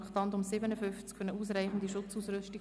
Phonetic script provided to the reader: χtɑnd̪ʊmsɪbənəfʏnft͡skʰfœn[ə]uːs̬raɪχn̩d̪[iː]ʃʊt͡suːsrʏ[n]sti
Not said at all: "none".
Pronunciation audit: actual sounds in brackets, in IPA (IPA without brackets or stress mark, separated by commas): ə, i, none